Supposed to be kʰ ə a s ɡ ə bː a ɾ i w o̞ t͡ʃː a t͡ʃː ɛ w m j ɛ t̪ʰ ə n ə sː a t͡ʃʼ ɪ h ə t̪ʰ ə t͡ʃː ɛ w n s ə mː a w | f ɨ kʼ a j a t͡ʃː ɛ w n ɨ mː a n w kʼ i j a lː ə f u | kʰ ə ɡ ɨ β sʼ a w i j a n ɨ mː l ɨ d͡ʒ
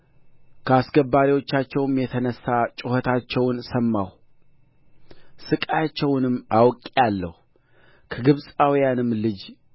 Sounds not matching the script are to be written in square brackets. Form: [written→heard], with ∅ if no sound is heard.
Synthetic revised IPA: kʰ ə a s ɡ ə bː a ɾ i w o̞ t͡ʃː a t͡ʃː ɛ w m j ɛ t̪ʰ ə n ə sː a t͡ʃʼ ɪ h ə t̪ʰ [ə→a] t͡ʃː ɛ w n s ə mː a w | [f→s] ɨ kʼ a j a t͡ʃː ɛ w n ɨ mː a [n→∅] w kʼ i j a lː ə [f→h] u | kʰ ə ɡ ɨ β sʼ a w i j a n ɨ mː l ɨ d͡ʒ